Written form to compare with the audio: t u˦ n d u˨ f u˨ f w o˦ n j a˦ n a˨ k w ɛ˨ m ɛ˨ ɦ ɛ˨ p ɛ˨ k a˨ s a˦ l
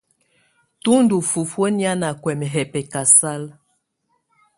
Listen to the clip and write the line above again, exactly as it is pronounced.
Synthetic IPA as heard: t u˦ n d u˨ f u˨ f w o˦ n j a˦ n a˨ k w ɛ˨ m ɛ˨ ɦ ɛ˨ p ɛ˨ k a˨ s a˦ l